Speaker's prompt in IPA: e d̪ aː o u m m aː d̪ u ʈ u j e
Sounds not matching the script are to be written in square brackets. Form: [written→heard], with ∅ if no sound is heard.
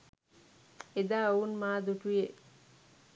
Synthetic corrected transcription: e d̪ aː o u [m→n] m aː d̪ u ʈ u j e

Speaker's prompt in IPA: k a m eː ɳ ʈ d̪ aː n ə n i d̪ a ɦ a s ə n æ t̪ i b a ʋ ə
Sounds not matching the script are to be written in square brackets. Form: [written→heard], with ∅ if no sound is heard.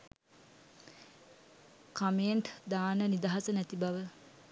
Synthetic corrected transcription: k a m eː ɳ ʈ d̪ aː n ə n i d̪ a ɦ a s ə n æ t̪ i b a ʋ ə

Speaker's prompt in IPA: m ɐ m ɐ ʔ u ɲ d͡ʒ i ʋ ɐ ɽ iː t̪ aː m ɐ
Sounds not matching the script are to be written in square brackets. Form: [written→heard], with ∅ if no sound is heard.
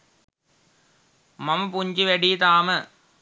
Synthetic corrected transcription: m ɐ m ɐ [ʔ→p] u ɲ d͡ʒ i ʋ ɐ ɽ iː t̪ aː m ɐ

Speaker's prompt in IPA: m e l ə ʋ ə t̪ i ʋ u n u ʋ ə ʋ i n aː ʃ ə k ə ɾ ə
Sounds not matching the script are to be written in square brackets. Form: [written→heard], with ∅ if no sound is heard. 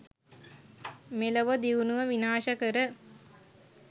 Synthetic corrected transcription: m e l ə ʋ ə [t̪→d̪] i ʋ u n u ʋ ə ʋ i n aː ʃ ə k ə ɾ ə

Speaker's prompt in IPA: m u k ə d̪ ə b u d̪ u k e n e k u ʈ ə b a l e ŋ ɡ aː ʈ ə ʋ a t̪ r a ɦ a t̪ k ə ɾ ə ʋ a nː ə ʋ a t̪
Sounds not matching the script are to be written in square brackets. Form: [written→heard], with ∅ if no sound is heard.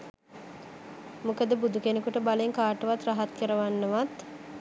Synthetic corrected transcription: m u k ə d̪ ə b u d̪ u k e n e k u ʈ ə b a l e ŋ [ɡ→k] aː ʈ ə ʋ a t̪ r a ɦ a t̪ k ə ɾ ə ʋ a nː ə ʋ a t̪

